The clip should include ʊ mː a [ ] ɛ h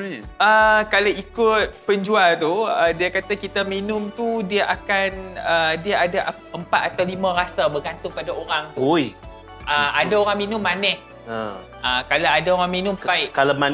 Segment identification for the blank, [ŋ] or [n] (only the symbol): n